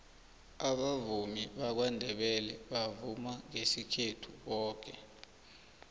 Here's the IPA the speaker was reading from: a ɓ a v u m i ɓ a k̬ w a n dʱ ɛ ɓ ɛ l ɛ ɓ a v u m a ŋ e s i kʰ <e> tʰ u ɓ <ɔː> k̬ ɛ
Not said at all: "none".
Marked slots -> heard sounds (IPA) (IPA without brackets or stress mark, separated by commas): e, ɔː